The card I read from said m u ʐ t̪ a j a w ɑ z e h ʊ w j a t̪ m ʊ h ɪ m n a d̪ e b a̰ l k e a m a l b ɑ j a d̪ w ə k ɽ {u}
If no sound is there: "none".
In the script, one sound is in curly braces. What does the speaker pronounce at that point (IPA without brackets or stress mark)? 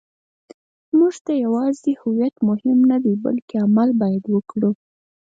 u